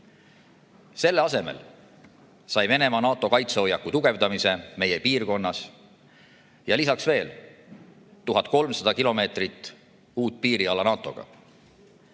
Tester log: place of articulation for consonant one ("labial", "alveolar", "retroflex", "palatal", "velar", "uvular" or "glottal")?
alveolar